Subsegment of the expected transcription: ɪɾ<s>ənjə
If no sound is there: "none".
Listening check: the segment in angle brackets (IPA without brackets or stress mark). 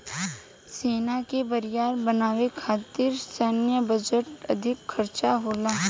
s